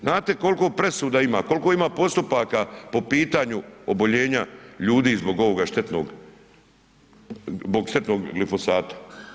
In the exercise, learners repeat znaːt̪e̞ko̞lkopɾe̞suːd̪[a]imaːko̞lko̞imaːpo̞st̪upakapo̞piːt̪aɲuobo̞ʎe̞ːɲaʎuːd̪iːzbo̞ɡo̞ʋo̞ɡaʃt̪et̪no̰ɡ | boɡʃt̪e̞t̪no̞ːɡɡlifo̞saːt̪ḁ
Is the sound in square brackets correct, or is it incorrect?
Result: correct